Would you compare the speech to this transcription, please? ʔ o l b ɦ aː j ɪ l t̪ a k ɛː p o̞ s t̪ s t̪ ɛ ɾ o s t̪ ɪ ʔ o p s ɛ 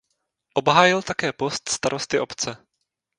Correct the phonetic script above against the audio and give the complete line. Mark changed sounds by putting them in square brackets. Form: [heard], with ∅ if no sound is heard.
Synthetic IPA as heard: ʔ o [∅] b ɦ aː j ɪ l t̪ a k ɛː p o̞ s t̪ s t̪ [a] ɾ o s t̪ ɪ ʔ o p [t͡s] ɛ

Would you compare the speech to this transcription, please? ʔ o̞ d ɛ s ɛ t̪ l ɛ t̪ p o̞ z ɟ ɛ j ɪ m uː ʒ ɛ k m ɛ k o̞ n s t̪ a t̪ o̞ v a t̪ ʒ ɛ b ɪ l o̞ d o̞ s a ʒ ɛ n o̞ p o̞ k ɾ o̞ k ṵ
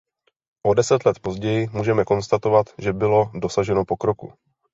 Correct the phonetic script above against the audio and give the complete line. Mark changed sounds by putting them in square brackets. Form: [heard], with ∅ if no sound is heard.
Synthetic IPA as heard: ʔ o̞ d ɛ s ɛ t̪ l ɛ t̪ p o̞ z ɟ ɛ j ɪ m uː ʒ ɛ [∅] m ɛ k o̞ n s t̪ a t̪ o̞ v a t̪ ʒ ɛ b ɪ l o̞ d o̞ s a ʒ ɛ n o̞ p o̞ k ɾ o̞ k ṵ

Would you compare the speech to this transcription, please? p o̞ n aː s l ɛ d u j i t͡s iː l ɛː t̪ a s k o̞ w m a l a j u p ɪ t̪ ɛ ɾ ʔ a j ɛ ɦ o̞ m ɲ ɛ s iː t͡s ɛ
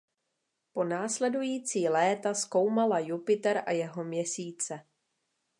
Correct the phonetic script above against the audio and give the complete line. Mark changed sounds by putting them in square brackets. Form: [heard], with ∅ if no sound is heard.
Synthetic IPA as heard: p o̞ n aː s l ɛ d u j [iː] t͡s iː l ɛː t̪ a s k o̞ w m a l a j u p ɪ t̪ ɛ ɾ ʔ a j ɛ ɦ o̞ m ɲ ɛ s iː t͡s ɛ

